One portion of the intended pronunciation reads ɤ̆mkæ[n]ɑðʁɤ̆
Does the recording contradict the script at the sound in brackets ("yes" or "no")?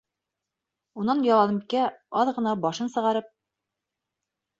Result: yes